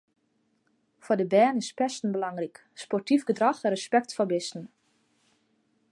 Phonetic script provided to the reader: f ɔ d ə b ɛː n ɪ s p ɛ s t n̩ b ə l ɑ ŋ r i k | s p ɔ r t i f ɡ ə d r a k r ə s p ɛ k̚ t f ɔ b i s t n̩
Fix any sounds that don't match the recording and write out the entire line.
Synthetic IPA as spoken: f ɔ d ə b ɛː n ɪ s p ɛ s t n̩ b ə l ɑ ŋ r i k | s p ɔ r t i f ɡ ə d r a x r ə s p ɛ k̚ t f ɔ b ɪ s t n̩